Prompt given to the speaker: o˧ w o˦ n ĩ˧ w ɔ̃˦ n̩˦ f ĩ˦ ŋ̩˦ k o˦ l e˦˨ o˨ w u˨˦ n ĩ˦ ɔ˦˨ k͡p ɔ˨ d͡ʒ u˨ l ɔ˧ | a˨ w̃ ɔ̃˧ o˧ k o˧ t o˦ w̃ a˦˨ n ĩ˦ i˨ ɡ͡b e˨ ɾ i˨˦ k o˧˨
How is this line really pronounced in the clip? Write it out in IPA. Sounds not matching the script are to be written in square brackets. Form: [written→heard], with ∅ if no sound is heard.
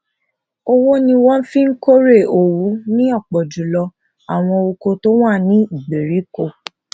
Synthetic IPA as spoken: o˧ w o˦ n ĩ˧ w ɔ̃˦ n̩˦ f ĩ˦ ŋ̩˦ k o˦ [l→ɾ] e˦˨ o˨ w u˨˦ n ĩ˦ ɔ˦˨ k͡p ɔ˨ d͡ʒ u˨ l ɔ˧ | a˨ w̃ ɔ̃˧ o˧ k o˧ t o˦ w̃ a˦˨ n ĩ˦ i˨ ɡ͡b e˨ ɾ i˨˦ k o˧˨